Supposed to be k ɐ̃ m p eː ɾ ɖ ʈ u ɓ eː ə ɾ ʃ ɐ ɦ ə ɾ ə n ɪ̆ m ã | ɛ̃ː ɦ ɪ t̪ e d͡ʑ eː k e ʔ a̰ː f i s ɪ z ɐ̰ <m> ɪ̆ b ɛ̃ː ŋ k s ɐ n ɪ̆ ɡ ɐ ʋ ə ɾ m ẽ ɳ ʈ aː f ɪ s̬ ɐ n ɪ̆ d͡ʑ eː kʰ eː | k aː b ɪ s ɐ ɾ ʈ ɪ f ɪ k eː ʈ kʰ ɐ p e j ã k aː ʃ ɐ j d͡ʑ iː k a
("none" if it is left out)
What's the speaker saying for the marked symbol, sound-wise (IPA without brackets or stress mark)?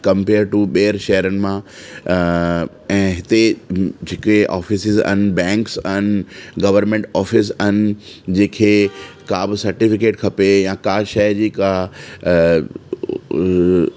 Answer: n